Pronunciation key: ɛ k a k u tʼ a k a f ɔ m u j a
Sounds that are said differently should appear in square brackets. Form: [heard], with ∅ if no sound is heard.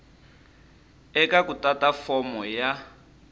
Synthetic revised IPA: ɛ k a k u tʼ a [t] a f ɔ m [ɔ] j a